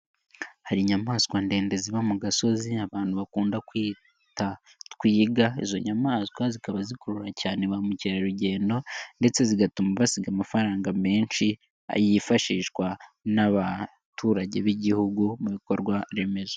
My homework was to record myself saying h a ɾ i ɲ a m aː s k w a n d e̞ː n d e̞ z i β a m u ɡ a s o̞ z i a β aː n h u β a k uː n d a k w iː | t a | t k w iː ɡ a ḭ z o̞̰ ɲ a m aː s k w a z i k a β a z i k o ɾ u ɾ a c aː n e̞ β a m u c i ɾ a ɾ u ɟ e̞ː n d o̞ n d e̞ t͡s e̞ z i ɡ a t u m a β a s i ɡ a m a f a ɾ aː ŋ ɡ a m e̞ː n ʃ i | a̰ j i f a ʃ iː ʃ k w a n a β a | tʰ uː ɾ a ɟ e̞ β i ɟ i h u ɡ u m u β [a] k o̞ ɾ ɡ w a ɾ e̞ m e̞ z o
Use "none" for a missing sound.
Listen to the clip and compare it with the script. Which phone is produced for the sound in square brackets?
i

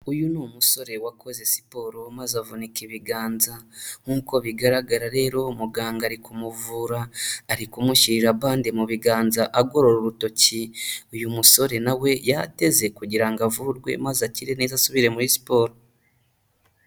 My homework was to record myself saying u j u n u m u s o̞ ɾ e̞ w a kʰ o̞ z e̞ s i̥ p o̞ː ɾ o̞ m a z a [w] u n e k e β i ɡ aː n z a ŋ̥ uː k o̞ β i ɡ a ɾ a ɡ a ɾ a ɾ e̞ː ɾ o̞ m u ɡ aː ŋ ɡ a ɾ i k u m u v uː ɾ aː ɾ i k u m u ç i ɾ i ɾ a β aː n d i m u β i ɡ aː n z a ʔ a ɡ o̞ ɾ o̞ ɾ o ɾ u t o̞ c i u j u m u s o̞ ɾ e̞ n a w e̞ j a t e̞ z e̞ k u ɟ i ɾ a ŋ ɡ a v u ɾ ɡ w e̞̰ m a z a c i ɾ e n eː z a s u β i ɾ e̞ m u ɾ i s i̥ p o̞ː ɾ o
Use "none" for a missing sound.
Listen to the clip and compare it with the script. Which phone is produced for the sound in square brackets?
v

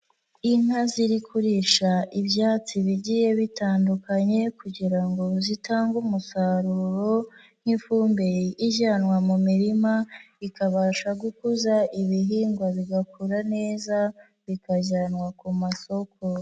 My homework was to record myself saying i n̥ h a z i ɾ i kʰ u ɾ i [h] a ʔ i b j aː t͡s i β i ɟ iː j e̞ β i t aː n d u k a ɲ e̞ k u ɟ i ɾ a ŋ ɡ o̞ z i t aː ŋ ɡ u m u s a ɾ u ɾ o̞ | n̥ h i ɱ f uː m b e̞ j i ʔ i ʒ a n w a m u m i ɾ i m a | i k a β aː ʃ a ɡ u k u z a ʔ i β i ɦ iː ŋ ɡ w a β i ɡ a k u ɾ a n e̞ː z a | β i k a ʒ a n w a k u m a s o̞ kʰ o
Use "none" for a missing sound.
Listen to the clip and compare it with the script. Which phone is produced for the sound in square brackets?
ʃ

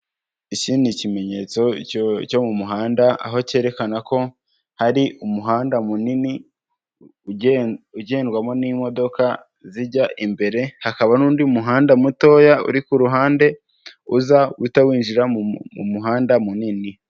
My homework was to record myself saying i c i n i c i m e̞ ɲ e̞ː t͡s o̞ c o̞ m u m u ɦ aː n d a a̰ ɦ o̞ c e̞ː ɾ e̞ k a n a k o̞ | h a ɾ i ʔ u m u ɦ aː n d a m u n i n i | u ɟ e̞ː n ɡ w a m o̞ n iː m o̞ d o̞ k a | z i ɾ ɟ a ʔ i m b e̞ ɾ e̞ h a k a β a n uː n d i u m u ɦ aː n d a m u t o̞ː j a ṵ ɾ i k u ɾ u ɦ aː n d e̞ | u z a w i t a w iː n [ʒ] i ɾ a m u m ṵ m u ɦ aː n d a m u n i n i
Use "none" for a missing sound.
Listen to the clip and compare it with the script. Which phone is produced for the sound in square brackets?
ʒ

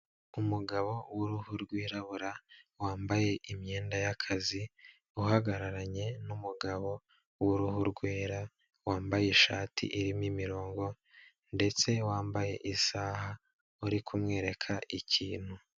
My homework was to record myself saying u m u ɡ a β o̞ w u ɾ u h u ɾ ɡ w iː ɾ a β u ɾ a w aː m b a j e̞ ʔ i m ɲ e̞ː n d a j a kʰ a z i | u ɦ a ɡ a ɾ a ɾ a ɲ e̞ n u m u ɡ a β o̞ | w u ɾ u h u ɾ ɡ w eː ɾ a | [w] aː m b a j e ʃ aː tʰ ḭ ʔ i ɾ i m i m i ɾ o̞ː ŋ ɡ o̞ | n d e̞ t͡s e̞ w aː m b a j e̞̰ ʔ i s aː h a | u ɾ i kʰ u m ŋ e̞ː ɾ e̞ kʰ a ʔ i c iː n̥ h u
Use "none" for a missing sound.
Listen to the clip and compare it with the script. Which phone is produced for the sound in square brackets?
w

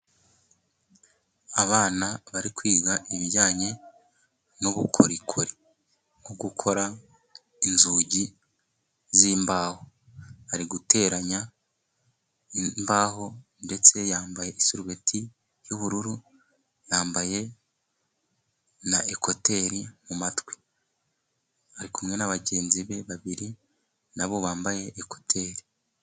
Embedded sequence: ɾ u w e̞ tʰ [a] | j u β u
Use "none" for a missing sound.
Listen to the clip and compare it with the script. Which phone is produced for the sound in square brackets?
i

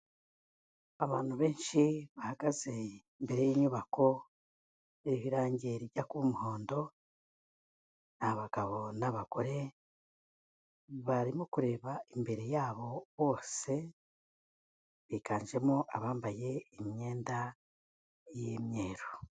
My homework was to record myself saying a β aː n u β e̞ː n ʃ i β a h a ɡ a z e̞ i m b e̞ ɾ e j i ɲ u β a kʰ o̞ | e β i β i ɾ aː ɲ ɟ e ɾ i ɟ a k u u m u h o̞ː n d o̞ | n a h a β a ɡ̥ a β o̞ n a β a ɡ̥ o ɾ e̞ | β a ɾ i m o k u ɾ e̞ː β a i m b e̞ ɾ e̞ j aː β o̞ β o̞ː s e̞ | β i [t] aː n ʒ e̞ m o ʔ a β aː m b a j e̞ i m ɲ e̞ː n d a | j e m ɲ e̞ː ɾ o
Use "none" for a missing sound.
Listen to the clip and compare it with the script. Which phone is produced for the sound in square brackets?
k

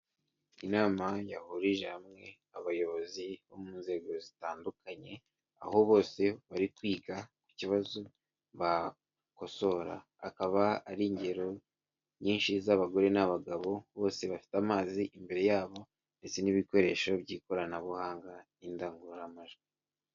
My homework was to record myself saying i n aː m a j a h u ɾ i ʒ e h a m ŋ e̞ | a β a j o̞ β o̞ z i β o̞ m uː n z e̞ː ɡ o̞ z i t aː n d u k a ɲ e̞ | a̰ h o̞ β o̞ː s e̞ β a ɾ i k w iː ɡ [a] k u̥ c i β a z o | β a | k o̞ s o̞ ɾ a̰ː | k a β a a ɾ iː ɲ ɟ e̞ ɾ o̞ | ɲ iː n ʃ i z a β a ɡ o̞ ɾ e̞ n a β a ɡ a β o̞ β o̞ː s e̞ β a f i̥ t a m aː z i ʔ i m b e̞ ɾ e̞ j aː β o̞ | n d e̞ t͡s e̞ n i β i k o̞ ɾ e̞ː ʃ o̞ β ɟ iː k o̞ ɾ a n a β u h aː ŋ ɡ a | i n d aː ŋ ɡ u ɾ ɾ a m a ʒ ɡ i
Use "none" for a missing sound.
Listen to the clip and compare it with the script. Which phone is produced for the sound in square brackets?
a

